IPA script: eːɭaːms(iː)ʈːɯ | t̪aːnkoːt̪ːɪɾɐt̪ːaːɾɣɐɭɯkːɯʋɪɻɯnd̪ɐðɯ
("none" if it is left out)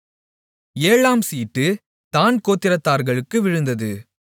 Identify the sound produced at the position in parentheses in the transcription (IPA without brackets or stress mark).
iː